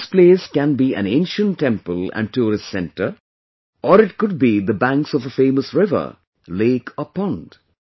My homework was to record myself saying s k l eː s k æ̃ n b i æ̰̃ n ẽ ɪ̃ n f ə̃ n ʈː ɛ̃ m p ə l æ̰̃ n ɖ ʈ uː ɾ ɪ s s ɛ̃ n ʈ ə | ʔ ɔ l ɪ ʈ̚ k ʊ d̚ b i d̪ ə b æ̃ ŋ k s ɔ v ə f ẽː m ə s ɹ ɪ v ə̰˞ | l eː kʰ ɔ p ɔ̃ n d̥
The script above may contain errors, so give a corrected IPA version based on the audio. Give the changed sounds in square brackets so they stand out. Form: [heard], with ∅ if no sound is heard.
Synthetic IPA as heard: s [p] l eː s k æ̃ n b i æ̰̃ n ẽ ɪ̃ n [ʃ] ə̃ n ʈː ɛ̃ m p ə l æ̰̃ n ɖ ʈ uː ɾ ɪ s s ɛ̃ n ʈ ə | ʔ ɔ [ɾ] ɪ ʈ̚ k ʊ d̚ b i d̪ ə b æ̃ ŋ k s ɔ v ə f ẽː m ə s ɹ ɪ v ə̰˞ | l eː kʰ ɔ p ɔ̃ n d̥